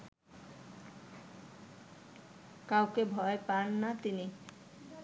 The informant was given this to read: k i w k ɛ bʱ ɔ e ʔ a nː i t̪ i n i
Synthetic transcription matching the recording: k a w k e bʱ ɔ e p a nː a t̪ i n i